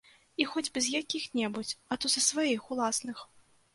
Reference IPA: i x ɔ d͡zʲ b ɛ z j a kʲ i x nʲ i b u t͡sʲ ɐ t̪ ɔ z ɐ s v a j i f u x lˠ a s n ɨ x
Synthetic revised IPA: i x ɔ d͡zʲ b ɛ z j a kʲ i x nʲ ɛ b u t͡sʲ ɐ t̪ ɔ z ɐ s v a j i x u lˠ a s n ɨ x